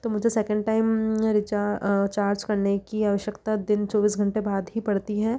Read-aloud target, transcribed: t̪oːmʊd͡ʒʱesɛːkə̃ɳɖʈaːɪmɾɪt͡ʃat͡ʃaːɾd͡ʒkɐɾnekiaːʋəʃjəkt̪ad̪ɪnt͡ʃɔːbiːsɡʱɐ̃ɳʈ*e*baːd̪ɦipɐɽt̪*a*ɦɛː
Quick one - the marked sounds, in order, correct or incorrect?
correct, incorrect: i

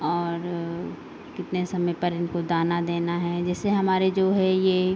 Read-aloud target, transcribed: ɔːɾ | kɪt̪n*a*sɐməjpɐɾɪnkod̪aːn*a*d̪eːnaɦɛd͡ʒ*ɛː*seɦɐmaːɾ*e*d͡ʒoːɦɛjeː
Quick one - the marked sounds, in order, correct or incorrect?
incorrect: e, correct, correct, correct

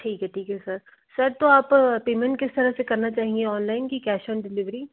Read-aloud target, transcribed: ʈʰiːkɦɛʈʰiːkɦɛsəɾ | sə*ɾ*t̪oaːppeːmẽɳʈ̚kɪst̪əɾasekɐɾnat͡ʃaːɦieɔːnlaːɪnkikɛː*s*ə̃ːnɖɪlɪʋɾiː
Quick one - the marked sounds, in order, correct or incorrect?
correct, incorrect: ʃ

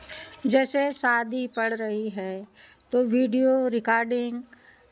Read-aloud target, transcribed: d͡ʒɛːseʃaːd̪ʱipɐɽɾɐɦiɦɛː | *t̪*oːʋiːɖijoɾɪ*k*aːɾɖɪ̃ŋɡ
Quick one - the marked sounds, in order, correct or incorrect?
correct, correct

